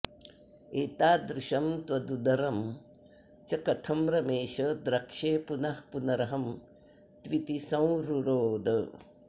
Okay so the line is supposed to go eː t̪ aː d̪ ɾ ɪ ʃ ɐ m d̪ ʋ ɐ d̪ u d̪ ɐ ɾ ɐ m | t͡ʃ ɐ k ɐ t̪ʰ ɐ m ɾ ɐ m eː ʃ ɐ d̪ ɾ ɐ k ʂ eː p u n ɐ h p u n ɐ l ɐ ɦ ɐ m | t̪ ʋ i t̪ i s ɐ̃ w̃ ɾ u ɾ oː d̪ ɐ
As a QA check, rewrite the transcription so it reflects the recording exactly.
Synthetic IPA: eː t̪ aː d̪ ɾ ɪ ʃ ɐ m t̪ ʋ ɐ d̪ u d̪ ɐ ɾ ɐ m | t͡ʃ ɐ k ɐ t̪ʰ ɐ m ɾ ɐ m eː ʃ ɐ d̪ ɾ ɐ k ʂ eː p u n ɐ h p u n ɐ ɾ ɐ ɦ ɐ m | t̪ ʋ i t̪ i s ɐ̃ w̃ ɾ u ɾ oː d̪ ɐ

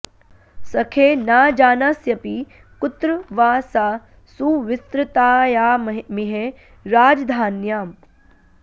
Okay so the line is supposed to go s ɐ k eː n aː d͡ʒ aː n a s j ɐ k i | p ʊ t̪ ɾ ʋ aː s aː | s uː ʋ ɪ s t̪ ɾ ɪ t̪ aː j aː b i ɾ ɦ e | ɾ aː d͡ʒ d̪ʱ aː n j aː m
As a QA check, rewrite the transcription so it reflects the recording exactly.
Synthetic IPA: s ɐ kʰ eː n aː d͡ʒ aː n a s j ɐ p i | k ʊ t̪ ɾ ʋ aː s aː | s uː ʋ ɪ s t̪ ɾ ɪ t̪ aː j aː m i ɦ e | ɾ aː d͡ʒ d̪ʱ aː n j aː m

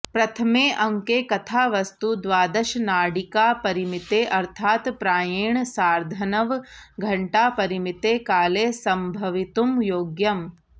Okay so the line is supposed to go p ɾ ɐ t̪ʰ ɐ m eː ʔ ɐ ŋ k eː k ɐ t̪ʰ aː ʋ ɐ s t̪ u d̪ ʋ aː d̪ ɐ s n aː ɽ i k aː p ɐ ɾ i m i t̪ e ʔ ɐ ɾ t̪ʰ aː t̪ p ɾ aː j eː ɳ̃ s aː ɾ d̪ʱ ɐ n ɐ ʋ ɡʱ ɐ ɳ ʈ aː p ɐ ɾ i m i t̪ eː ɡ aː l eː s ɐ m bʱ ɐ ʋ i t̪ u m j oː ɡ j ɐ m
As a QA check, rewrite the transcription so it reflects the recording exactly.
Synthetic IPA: p ɾ ɐ t̪ʰ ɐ m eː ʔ ɐ ŋ k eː k ɐ t̪ʰ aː ʋ ɐ s t̪ u d̪ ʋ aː d̪ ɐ ʃ n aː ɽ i k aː p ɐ ɾ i m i t̪ e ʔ ɐ ɾ t̪ʰ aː t̪ p ɾ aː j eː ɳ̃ s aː ɾ d̪ʱ ɐ n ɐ ʋ ɡʱ ɐ ɳ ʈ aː p ɐ ɾ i m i t̪ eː k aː l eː s ɐ m bʱ ɐ ʋ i t̪ u m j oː ɡ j ɐ m

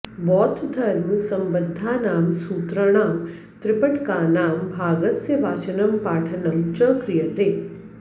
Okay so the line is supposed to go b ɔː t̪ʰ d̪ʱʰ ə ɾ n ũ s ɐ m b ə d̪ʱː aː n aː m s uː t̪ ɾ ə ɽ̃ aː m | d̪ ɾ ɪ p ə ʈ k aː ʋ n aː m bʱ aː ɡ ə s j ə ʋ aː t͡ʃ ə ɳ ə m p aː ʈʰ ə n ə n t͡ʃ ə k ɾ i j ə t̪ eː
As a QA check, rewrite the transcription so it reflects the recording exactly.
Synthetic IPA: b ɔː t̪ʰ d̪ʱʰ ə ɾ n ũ s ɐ m b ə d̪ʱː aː n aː m s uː t̪ ɾ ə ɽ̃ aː m | t̪ ɾ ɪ p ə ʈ k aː n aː m bʱ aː ɡ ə s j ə ʋ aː t͡ʃ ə n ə m p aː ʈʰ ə n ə m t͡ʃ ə k ɾ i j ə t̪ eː

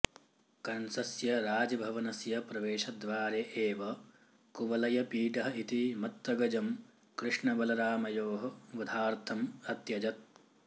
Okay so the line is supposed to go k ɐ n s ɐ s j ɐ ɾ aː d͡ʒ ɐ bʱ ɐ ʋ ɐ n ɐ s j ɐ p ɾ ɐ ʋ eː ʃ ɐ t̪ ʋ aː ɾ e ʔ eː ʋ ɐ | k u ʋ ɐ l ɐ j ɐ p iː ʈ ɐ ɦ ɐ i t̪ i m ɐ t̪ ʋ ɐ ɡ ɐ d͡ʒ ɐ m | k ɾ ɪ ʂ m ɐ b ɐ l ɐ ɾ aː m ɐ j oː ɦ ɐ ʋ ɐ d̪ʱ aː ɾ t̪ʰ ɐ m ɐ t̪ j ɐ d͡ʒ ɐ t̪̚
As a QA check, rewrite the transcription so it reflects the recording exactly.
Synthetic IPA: k ɐ n s ɐ s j ɐ ɾ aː d͡ʒ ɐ bʱ ɐ ʋ ɐ n ɐ s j ɐ p ɾ ɐ ʋ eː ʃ ɐ d̪ ʋ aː ɾ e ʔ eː ʋ ɐ | k u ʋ ɐ l ɐ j ɐ p iː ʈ ɐ ɦ ɐ i t̪ i m ɐ t̪ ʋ ɐ ɡ ɐ d͡ʒ ɐ m | k ɾ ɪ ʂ ɳ ɐ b ɐ l ɐ ɾ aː m ɐ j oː ɦ ɐ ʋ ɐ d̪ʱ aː ɾ t̪ʰ ɐ m ɐ t̪ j ɐ d͡ʒ ɐ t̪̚

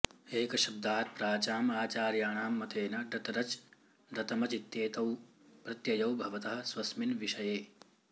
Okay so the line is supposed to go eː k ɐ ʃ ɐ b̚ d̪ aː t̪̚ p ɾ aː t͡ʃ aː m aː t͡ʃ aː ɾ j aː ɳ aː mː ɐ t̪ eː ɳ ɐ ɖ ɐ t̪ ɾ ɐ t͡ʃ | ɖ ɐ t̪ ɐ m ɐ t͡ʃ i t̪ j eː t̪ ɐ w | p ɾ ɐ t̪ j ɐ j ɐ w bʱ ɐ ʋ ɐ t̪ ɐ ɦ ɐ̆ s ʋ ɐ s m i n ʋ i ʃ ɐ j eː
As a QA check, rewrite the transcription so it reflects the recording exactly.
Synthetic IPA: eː k ɐ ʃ ɐ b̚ d̪ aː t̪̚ p ɾ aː t͡ʃ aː m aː t͡ʃ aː ɾ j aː ɳ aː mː ɐ t̪ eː n ɐ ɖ ɐ t̪ ɾ ɐ t͡ʃ | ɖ ɐ t̪ ɐ m ɐ t͡ʃ i t̪ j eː t̪ ɐ w | p ɾ ɐ t̪ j ɐ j ɐ w bʱ ɐ ʋ ɐ t̪ ɐ ɦ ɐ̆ s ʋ ɐ s m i n ʋ i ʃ ɐ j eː

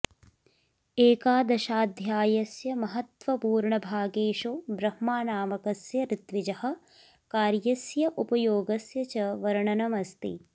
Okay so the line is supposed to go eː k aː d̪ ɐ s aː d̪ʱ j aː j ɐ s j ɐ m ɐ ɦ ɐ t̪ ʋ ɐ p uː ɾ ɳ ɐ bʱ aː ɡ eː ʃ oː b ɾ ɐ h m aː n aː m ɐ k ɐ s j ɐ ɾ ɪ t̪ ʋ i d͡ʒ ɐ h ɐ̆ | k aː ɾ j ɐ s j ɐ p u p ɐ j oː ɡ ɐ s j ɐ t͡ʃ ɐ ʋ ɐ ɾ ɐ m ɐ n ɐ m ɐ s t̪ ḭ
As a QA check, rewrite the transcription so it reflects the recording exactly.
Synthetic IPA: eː k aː d̪ ɐ ʃ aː d̪ʱ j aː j ɐ s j ɐ m ɐ ɦ ɐ t̪ ʋ ɐ p uː ɾ ɳ ɐ bʱ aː ɡ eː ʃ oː b ɾ ɐ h m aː n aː m ɐ k ɐ s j ɐ ɾ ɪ t̪ ʋ i d͡ʒ ɐ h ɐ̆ | k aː ɾ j ɐ s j ɐ ʔ u p ɐ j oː ɡ ɐ s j ɐ t͡ʃ ɐ ʋ ɐ ɾ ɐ ɳ ɐ n ɐ m ɐ s t̪ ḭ

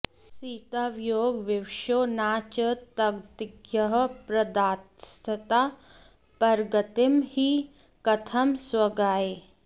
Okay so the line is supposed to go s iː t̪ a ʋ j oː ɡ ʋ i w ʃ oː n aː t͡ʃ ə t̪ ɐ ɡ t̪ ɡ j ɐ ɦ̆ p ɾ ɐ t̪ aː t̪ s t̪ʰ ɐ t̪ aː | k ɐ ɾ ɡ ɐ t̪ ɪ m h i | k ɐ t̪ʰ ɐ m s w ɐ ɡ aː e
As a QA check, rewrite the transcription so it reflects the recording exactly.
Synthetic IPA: s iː t̪ a ʋ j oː ɡ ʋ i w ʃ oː n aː t͡ʃ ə t̪ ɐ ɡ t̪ ɡ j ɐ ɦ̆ p ɾ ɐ d̪ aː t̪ s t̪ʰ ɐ t̪ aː | p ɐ ɾ ɡ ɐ t̪ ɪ m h i | k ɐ t̪ʰ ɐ m s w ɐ ɡ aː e

